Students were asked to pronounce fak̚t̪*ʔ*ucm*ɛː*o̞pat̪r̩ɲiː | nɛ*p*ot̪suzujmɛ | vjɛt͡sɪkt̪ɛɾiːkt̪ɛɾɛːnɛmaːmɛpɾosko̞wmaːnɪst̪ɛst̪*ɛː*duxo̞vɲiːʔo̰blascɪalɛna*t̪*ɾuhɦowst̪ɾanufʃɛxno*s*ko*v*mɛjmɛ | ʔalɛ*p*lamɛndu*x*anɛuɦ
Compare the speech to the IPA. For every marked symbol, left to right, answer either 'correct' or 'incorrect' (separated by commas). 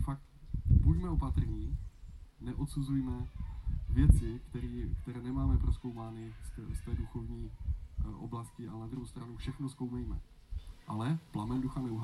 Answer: incorrect, incorrect, incorrect, correct, incorrect, correct, incorrect, correct, correct